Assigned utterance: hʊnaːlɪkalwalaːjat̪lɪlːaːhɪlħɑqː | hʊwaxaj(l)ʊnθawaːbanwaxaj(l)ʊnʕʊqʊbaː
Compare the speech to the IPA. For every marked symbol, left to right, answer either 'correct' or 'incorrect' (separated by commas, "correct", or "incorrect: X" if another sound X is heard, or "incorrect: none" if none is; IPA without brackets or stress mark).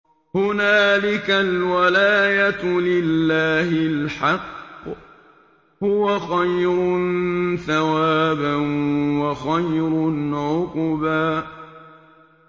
incorrect: ɾ, incorrect: ɾ